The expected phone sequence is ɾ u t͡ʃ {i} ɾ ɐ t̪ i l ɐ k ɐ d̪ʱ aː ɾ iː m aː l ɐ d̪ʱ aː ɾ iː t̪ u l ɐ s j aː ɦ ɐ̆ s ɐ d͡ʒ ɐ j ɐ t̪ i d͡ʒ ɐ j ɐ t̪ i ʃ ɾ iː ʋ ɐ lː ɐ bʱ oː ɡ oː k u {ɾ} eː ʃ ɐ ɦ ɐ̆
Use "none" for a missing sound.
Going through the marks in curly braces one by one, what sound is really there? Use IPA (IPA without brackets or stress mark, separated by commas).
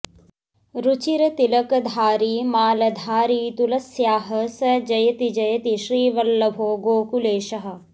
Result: i, l